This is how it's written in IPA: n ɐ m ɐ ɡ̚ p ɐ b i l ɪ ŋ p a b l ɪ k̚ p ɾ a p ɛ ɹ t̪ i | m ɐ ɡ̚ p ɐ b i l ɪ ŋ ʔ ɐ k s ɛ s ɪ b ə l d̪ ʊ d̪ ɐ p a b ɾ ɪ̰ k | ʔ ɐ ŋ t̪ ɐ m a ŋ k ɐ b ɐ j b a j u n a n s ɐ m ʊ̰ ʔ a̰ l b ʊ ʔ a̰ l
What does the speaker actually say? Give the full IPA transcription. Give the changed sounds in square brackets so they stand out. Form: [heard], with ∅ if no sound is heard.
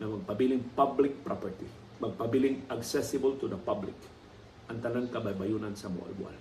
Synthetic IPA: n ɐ m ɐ ɡ̚ p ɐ b i l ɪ ŋ p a b l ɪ k̚ p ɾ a p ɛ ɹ t̪ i | m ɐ ɡ̚ p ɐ b i l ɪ ŋ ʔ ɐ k s ɛ s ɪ b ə l [t̪] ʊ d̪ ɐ p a b [l] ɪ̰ k | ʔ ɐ ŋ t̪ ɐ [n] a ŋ k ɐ b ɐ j b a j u n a n s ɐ m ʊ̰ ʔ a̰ l b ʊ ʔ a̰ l